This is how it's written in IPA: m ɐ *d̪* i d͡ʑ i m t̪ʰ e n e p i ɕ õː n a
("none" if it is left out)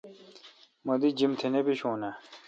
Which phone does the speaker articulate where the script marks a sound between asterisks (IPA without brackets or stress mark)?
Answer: d̪